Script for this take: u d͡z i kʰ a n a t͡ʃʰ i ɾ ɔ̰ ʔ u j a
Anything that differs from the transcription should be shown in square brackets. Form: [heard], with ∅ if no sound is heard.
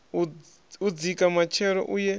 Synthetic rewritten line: u d͡z i [k] a [m] a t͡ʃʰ [ɛ] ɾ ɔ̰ ʔ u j [ɛ]